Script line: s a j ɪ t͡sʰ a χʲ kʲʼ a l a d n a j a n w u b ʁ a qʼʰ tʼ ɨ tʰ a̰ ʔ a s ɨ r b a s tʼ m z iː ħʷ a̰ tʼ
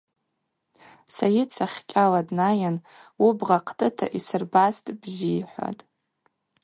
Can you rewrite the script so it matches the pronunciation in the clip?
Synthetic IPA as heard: s a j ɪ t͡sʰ a χʲ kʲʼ a l a d n a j a n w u b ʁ a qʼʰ tʼ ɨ tʰ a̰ ʔ i s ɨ r b a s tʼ b z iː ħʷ a̰ tʼ